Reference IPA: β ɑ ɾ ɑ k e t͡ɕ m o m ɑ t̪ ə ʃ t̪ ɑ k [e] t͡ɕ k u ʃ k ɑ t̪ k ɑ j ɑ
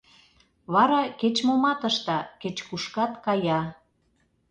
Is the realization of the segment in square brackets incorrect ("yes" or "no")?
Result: no